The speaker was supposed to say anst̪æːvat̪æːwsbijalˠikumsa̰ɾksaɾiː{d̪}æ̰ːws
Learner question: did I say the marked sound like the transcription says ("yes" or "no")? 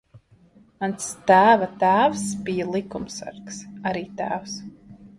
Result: no